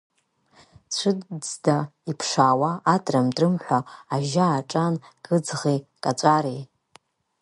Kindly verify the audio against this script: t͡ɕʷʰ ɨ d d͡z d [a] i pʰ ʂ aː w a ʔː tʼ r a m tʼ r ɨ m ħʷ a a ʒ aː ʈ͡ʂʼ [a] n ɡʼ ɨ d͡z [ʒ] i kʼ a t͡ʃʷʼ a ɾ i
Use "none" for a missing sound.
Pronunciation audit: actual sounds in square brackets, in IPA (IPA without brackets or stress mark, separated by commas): a, a, ʁ